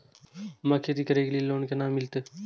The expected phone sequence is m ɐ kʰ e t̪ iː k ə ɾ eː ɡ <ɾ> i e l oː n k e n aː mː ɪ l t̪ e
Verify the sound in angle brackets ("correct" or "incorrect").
incorrect